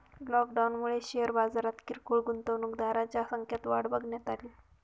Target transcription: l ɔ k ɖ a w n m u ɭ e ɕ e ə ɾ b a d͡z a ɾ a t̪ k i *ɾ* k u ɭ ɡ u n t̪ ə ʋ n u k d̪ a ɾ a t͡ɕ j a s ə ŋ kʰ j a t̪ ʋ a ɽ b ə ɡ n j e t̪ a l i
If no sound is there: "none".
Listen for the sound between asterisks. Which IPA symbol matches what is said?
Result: ɾ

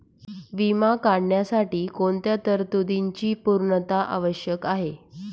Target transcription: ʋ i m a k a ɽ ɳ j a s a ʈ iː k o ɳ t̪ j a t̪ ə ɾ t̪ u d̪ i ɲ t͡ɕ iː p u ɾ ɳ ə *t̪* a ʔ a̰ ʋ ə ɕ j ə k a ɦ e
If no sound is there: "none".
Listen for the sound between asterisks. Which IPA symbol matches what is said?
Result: t̪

